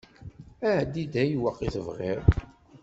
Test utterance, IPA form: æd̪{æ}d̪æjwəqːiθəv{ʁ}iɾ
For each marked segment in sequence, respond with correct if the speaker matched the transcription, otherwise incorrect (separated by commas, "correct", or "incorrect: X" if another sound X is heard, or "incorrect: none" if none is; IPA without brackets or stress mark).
incorrect: i, correct